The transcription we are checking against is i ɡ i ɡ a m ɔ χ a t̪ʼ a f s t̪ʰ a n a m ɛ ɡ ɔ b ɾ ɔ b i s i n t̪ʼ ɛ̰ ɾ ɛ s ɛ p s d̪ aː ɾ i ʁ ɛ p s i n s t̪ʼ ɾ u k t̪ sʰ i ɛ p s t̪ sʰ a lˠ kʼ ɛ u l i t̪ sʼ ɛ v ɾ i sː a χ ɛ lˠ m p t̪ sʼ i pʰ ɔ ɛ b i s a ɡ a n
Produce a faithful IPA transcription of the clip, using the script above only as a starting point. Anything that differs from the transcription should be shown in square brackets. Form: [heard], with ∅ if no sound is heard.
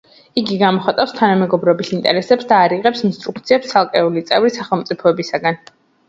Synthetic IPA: i ɡ i ɡ a m ɔ χ a t̪ʼ a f s t̪ʰ a n a m ɛ ɡ ɔ b ɾ ɔ b i s i n t̪ʼ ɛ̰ ɾ ɛ s ɛ p s d̪ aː ɾ i ʁ ɛ p s i n s t̪ʼ ɾ u k t̪ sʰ i ɛ p s t̪ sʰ a lˠ kʼ ɛ u l i t̪ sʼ ɛ v ɾ i [s] a χ ɛ lˠ m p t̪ sʼ i pʰ ɔ ɛ b i s a ɡ a n